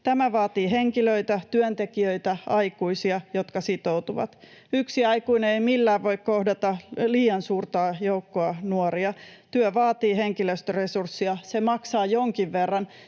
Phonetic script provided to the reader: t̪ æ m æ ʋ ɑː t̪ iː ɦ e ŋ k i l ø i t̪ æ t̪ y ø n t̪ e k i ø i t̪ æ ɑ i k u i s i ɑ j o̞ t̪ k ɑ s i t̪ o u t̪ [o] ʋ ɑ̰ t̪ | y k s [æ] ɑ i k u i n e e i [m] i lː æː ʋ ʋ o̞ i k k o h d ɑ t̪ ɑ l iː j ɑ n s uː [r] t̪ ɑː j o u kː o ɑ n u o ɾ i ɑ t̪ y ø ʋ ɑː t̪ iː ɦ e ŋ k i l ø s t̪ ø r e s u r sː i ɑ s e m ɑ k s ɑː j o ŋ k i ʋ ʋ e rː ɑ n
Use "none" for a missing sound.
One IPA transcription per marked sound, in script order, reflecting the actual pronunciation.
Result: u, i, m, r

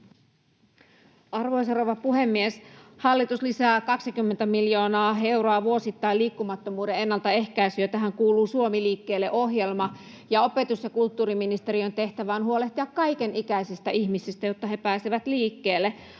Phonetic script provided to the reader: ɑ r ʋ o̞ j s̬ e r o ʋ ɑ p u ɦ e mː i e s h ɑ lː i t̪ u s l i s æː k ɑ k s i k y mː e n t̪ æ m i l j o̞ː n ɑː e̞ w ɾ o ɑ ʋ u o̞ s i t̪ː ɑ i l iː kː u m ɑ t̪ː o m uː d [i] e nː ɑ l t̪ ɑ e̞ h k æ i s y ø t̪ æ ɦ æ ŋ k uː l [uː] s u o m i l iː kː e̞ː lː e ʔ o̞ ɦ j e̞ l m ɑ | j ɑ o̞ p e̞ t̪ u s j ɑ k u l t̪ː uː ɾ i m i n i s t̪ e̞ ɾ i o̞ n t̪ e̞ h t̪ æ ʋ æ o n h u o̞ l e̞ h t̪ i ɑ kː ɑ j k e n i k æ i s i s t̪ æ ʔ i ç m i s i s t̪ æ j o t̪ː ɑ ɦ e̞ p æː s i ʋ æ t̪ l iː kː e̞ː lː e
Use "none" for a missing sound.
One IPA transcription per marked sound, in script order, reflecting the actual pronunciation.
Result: e, uː

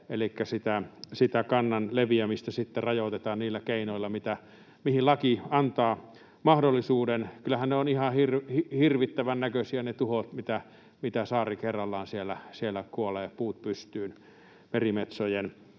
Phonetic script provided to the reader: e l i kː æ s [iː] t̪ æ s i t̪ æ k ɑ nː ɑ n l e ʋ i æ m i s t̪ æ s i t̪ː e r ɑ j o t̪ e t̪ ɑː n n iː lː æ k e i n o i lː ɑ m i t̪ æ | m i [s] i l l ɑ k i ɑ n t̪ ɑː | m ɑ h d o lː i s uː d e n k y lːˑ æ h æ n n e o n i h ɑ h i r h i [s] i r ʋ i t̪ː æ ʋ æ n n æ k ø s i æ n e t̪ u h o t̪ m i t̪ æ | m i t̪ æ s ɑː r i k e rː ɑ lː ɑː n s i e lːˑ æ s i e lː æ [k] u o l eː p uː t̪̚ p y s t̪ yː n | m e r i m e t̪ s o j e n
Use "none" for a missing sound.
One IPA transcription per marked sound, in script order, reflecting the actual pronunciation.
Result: i, h, h, k

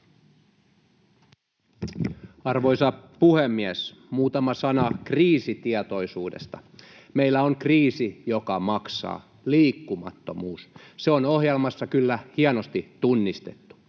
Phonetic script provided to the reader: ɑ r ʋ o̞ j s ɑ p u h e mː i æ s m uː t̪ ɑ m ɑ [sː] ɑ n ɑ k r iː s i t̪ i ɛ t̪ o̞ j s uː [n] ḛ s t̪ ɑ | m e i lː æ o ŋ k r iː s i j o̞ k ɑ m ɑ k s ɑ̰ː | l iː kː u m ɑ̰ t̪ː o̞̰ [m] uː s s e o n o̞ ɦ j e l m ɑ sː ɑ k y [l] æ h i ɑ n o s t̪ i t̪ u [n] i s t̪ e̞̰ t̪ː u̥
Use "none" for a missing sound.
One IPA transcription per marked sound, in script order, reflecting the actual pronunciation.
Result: s, d, m, lː, nː

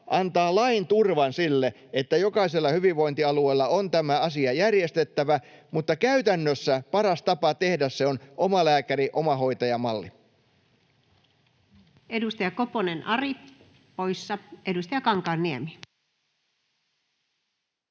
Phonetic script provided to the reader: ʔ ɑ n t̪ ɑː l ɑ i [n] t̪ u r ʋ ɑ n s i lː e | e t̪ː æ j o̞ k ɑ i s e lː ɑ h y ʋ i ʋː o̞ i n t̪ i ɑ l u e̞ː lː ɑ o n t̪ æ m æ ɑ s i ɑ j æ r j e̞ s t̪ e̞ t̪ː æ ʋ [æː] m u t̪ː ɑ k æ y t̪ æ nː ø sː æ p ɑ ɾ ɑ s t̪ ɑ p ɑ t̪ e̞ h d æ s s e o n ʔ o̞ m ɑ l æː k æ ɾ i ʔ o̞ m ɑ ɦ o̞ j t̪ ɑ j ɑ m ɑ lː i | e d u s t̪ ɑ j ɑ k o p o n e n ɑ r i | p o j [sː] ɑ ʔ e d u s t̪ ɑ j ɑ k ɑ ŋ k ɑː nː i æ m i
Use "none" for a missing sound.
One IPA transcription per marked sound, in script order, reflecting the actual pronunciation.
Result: n, æ, sː

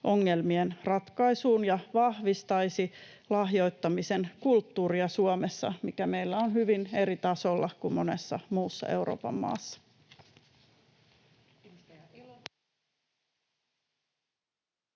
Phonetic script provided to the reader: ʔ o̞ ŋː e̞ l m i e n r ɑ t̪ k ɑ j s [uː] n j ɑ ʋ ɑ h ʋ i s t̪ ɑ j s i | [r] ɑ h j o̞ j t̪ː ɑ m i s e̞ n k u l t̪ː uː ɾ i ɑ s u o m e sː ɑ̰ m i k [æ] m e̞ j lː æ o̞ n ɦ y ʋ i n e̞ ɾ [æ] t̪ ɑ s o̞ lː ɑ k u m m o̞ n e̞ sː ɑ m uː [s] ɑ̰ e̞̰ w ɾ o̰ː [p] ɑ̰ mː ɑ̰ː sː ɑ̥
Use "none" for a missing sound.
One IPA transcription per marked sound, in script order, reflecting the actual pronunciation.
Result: uː, l, æ, i, sː, p

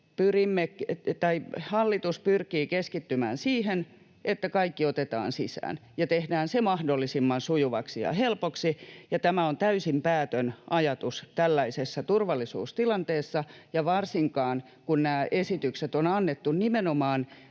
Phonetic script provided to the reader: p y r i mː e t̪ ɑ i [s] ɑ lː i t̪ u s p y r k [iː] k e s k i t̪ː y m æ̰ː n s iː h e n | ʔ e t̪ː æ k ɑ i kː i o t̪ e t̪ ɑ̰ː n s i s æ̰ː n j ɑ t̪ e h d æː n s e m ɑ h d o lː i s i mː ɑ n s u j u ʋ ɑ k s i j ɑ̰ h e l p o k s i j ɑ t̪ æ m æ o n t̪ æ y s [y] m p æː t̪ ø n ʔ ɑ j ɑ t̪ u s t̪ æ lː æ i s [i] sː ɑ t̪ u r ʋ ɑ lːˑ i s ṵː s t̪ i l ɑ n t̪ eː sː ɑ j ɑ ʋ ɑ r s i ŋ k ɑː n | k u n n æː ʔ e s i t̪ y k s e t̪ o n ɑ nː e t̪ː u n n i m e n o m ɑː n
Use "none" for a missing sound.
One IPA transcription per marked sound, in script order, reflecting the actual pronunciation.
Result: h, iː, i, e

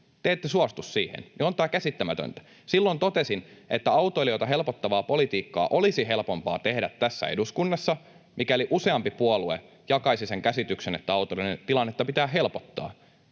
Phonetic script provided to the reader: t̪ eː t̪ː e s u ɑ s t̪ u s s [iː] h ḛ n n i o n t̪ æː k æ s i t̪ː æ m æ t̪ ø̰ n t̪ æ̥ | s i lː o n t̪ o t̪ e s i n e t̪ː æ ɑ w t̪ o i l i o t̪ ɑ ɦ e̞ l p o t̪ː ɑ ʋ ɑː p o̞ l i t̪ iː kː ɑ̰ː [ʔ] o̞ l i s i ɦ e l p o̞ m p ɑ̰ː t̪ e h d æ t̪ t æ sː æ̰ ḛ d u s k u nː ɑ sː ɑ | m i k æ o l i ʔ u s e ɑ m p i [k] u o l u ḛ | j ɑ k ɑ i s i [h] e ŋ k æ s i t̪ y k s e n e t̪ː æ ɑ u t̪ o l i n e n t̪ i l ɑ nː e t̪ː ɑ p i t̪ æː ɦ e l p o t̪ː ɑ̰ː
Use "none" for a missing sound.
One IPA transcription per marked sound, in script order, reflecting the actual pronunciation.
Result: iː, ʔ, p, s

